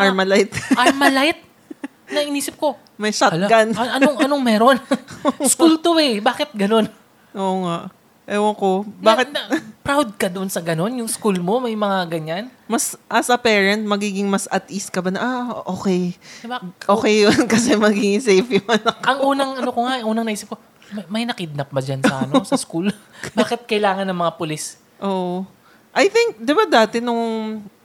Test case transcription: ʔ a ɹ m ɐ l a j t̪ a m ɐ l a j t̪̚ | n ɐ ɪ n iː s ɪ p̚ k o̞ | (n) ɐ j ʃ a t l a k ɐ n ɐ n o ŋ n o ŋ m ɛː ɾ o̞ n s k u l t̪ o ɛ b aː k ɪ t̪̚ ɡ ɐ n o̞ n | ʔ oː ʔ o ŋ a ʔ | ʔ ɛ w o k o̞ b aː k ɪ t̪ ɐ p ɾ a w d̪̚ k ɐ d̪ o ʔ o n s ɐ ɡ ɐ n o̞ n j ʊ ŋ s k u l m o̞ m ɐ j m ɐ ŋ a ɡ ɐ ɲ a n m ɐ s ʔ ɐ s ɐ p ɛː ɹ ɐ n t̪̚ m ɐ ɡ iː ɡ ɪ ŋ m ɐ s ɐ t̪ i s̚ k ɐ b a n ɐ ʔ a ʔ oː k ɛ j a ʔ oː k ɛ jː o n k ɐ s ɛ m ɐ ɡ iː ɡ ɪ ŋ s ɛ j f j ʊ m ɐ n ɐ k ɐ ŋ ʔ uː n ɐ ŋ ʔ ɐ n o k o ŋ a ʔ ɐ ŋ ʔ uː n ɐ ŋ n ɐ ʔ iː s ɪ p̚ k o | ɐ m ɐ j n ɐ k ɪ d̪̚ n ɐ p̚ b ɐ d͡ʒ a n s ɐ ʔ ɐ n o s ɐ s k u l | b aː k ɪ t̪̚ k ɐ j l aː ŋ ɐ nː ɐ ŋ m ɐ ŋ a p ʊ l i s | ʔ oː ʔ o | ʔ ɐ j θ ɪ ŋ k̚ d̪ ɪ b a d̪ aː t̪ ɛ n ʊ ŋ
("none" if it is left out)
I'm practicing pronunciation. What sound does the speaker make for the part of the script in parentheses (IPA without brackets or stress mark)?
m